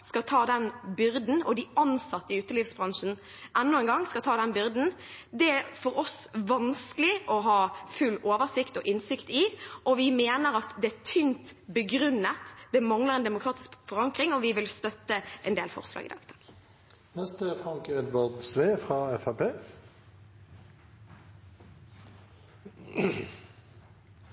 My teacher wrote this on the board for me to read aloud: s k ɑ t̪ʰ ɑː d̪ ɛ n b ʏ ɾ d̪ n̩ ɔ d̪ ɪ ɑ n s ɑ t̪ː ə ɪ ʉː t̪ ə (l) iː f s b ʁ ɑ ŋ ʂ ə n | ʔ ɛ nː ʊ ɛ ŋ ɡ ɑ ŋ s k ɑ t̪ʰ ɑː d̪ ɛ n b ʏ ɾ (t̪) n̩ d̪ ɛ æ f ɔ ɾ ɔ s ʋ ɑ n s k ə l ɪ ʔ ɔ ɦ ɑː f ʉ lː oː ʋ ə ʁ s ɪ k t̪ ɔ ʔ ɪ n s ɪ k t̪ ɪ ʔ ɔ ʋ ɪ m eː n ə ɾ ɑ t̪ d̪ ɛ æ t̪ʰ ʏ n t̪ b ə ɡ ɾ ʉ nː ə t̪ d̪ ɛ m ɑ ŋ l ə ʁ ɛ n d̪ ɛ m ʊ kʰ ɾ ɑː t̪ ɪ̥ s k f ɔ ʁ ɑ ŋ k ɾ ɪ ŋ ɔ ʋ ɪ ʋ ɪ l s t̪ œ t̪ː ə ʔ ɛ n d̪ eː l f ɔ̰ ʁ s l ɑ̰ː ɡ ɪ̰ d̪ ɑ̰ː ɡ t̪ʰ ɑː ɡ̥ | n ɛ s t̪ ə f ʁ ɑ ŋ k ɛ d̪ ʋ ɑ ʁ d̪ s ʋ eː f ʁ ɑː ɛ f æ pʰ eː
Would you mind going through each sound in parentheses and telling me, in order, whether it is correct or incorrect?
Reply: correct, incorrect: d̪

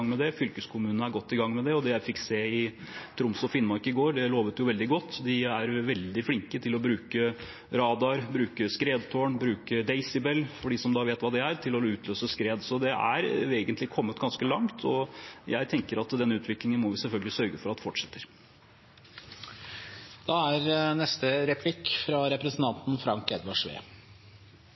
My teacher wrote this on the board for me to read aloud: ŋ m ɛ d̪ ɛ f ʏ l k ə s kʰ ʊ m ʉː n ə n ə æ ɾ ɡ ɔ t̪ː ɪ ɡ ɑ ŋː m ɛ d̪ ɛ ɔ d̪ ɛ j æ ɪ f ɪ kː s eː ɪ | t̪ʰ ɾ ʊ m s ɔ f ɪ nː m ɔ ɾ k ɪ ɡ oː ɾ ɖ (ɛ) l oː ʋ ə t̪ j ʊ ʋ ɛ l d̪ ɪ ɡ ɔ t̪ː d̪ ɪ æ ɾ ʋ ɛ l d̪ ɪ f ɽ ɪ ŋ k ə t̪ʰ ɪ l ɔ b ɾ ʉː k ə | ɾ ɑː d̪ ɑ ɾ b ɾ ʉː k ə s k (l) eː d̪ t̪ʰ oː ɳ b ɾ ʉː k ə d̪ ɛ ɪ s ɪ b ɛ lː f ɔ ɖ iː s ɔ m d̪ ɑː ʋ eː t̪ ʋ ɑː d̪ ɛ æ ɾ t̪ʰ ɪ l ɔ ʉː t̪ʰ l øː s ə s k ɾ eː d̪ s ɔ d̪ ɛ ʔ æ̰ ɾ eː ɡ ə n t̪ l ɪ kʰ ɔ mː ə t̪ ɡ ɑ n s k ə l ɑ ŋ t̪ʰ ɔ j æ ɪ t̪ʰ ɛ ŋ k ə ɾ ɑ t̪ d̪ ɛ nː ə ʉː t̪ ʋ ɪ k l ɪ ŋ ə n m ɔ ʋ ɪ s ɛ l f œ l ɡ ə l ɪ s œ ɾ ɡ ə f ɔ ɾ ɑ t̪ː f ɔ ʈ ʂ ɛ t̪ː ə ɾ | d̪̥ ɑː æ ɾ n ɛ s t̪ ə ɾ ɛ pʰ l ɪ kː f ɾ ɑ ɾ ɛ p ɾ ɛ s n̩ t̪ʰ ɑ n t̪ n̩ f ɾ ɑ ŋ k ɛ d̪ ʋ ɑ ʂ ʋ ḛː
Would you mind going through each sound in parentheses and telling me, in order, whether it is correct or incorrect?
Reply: correct, incorrect: ɾ

